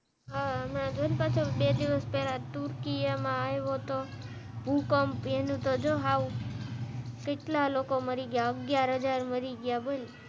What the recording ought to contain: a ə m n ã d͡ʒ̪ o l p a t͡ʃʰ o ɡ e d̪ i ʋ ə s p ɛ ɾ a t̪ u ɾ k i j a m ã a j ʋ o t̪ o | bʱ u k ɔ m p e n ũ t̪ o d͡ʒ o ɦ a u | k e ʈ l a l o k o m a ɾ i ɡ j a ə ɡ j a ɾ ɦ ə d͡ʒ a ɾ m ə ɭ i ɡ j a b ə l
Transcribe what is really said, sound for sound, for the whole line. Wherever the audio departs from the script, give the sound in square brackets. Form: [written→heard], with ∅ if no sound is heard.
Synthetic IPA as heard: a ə m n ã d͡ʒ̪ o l p a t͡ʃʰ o [ɡ→b] e d̪ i ʋ ə s p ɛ [ɾ→l] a t̪ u ɾ k i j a m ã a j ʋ o t̪ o | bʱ u k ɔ m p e n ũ t̪ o d͡ʒ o ɦ a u | k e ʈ l a l o k o m [a→ə] ɾ i ɡ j a ə ɡ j a ɾ ɦ ə d͡ʒ a ɾ m ə [ɭ→ɾ] i ɡ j a b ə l